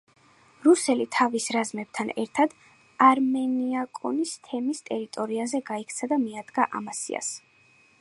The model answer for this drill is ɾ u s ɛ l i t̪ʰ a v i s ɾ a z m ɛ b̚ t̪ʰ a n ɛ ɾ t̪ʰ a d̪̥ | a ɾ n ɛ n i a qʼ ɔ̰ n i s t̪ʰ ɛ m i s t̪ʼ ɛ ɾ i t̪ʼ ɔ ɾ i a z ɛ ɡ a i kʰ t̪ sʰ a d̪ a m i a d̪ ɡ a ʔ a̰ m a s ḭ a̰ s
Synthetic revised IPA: ɾ u s ɛ l i t̪ʰ a v i s ɾ a z m ɛ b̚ t̪ʰ a n ɛ ɾ t̪ʰ a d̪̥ | a ɾ m ɛ n i a kʼ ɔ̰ n i s t̪ʰ ɛ m i s t̪ʼ ɛ ɾ i t̪ʼ ɔ ɾ i a z ɛ ɡ a i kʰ t̪ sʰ a d̪ a m i a d̪ ɡ a ʔ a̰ m a s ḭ a̰ s